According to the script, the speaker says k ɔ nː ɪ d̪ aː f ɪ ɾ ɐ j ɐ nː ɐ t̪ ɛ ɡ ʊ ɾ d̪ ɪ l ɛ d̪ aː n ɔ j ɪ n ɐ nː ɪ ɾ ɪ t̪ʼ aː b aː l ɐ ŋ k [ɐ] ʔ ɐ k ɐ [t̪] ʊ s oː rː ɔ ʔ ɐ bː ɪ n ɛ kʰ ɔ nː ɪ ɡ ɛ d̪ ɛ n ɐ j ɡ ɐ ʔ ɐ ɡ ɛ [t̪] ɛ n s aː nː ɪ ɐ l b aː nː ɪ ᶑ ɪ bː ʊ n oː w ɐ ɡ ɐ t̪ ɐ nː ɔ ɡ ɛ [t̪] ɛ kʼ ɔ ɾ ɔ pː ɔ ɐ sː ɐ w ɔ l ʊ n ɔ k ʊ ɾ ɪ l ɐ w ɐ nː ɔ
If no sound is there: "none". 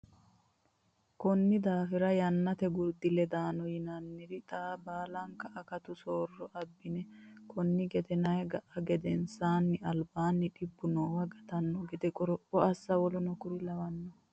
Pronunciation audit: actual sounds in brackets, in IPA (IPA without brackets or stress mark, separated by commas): ɐ, t̪, d̪, d̪